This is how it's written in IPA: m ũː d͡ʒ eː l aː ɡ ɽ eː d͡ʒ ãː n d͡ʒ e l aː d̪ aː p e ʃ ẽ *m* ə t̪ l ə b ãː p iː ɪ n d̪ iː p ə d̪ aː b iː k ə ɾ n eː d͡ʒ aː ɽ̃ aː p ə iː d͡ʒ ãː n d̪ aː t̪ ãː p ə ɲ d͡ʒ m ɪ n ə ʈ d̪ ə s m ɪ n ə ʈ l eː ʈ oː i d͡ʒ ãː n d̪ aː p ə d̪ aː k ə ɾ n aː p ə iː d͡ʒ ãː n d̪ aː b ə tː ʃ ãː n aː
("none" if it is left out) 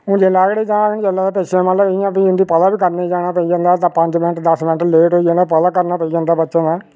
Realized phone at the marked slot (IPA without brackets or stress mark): m